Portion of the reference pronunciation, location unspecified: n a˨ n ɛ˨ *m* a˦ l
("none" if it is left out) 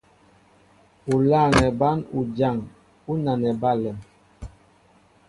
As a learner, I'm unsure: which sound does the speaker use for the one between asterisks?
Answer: b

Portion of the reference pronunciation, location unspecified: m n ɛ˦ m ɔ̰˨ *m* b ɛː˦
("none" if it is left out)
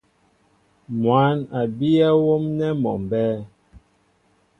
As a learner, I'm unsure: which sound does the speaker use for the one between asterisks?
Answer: m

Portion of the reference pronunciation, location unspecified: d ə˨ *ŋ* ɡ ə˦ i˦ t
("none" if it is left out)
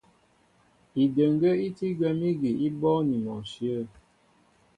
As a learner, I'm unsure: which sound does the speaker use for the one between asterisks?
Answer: ŋ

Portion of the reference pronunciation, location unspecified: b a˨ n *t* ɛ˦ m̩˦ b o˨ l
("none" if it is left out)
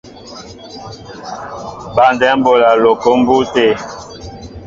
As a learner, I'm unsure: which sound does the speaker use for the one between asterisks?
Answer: d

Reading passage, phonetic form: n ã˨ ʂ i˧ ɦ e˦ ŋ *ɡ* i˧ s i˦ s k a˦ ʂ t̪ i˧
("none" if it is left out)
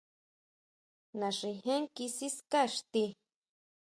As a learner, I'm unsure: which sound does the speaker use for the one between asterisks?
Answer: k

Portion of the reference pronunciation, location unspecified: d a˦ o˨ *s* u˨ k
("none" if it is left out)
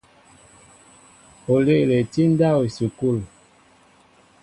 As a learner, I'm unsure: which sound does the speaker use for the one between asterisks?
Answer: s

